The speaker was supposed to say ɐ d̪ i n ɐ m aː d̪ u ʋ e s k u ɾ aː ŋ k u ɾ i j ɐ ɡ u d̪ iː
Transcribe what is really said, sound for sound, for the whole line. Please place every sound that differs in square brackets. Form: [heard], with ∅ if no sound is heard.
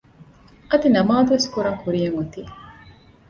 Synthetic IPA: ɐ d̪ i n ɐ m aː d̪ u ʋ e s k u ɾ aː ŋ k u ɾ i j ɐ [ŋ] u [t̪] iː